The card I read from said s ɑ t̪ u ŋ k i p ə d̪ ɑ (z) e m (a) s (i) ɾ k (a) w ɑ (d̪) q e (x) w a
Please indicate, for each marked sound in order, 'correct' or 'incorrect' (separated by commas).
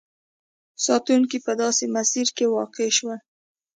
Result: incorrect, correct, correct, incorrect, incorrect, incorrect